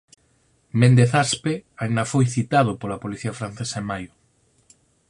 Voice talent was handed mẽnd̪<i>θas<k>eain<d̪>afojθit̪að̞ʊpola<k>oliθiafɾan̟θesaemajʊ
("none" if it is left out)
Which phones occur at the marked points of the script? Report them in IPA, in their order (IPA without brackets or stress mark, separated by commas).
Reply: e, p, d̪, p